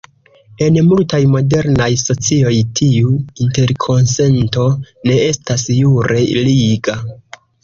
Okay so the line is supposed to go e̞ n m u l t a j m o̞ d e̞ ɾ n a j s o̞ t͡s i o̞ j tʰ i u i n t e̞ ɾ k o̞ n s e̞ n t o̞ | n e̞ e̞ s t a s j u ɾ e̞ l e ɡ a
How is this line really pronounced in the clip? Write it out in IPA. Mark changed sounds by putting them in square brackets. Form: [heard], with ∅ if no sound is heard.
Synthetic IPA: e̞ n m u l t a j m o̞ d e̞ ɾ n a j s o̞ t͡s i o̞ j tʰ i u i n t e̞ ɾ [kʰ] o̞ n s e̞ n t o̞ | n e̞ e̞ s t a s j u ɾ e̞ l [i] ɡ a

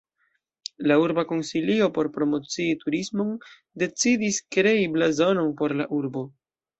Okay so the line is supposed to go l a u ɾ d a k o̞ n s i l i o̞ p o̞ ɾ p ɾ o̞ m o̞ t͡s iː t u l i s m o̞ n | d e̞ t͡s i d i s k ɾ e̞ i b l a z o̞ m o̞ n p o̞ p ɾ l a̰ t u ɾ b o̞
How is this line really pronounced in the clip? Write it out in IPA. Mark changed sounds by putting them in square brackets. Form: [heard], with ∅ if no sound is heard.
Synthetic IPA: l a u ɾ [b] a k o̞ n s i l i o̞ p o̞ ɾ p ɾ o̞ m o̞ t͡s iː t u [ɾ] i s m o̞ n | d e̞ t͡s i d i s k ɾ e̞ i b l a z o̞ [n] o̞ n p o̞ [∅] ɾ l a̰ [ʔ] u ɾ b o̞

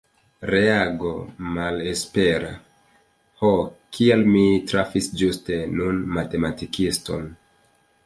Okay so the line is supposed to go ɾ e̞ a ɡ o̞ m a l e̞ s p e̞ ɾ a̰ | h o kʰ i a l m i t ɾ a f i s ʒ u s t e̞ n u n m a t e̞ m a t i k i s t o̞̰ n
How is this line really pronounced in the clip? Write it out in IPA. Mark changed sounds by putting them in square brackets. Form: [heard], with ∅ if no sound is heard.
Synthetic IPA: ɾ e̞ a ɡ o̞ m a l e̞ s p e̞ ɾ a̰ | h o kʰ i a l m i t ɾ a f i s [d͡ʒ] u s t e̞ n u n m a t e̞ m a t i k i s t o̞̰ n

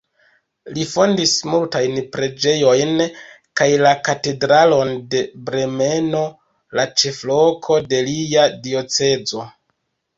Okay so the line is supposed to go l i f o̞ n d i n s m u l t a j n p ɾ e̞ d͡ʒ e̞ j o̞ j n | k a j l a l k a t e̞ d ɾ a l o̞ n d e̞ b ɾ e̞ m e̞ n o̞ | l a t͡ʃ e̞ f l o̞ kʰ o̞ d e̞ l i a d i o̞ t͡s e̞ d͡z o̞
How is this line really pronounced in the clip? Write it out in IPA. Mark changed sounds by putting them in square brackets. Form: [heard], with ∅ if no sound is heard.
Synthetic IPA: l i f o̞ n d i [∅] s m u l t a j n p ɾ e̞ d͡ʒ e̞ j o̞ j n | k a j l a [∅] k a t e̞ d ɾ a l o̞ n d e̞ b ɾ e̞ m e̞ n o̞ | l a t͡ʃ e̞ f l o̞ kʰ o̞ d e̞ l i a d i o̞ t͡s e̞ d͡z o̞

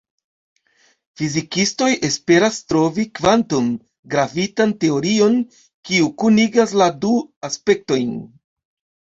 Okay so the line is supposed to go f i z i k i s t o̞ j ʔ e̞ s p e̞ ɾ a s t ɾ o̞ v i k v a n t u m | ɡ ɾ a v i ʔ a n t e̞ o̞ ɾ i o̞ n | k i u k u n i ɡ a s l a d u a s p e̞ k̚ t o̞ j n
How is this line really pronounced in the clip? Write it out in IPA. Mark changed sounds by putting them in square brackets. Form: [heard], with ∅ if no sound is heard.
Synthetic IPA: f i z i k i s t o̞ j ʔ e̞ s p e̞ ɾ a s t ɾ o̞ v i k v a n t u m | ɡ ɾ a v i [t] a n t e̞ o̞ ɾ i o̞ n | k i u k u n i ɡ a s l a d u a s p e̞ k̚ t o̞ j n

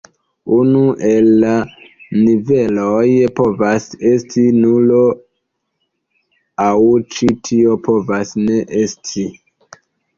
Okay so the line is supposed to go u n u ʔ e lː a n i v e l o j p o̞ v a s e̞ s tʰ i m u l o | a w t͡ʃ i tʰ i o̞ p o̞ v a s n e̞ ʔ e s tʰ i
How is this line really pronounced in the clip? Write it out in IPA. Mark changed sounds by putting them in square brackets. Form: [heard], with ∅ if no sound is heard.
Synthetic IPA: u n u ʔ e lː a n i v e l o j p o̞ v a s e̞ s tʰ i [n] u l o | a w t͡ʃ i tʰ i o̞ p o̞ v a s n e̞ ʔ e s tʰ i

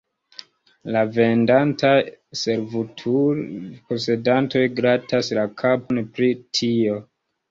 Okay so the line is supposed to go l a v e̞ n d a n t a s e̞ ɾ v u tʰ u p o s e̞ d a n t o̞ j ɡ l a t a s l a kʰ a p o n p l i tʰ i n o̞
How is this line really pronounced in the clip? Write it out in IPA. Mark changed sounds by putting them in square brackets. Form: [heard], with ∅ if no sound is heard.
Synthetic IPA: l a v e̞ n d a n t a s e̞ ɾ v u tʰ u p o s e̞ d a n t o̞ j ɡ [ɾ] a t a s l a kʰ a p o n p [ɾ] i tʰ i [∅] o̞

